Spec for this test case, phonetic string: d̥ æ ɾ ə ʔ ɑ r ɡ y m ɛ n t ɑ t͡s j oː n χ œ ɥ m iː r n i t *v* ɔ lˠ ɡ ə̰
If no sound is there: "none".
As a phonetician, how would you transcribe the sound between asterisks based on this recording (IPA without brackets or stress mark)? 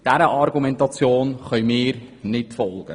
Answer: f